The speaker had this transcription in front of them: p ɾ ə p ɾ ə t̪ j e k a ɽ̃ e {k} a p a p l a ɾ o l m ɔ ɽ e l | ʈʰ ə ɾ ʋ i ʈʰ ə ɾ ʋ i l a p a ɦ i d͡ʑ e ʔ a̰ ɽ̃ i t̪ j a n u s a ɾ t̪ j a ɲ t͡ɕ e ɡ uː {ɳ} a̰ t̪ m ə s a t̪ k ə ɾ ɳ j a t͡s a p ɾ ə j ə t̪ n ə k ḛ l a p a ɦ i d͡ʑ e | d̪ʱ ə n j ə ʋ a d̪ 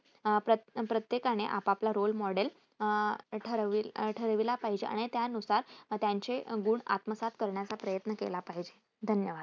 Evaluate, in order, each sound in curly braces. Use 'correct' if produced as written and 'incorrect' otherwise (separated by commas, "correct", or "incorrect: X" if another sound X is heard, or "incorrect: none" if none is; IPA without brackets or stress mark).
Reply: incorrect: ʔ, correct